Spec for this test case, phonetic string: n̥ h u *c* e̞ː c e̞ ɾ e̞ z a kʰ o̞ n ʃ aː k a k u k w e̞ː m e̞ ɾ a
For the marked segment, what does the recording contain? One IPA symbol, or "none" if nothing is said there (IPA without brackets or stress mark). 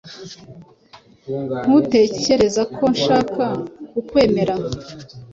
t